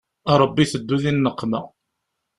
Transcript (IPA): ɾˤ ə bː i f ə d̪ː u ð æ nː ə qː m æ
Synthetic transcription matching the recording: ɾˤ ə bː i θ ə d̪ː u ð i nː ə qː m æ